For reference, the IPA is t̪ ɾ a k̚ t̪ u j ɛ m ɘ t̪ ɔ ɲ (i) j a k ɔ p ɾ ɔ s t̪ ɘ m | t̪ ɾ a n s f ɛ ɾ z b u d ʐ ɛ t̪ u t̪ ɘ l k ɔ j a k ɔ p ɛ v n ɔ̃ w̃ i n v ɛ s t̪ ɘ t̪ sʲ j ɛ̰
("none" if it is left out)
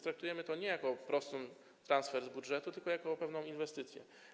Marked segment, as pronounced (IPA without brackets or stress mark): ɛ